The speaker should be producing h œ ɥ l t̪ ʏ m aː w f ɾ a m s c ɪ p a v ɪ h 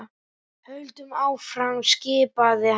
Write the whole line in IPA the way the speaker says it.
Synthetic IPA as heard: h œ ɥ l t̪ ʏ m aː w f ɾ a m s c ɪː p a ð ɪ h